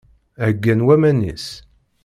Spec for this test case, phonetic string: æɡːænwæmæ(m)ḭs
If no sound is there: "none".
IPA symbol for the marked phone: n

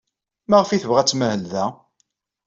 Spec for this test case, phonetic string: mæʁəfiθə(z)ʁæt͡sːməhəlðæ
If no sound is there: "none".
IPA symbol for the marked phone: v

